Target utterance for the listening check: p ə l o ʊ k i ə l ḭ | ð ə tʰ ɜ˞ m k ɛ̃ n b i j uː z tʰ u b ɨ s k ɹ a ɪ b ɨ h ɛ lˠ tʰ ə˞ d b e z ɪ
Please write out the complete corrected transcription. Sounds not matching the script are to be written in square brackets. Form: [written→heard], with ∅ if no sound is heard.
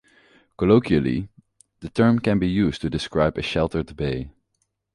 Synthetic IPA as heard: [p→k] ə l o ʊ k i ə l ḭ | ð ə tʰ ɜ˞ m k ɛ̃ n b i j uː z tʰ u [b→d] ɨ s k ɹ a ɪ b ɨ [h→ʃ] ɛ lˠ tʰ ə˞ d b e [z→∅] ɪ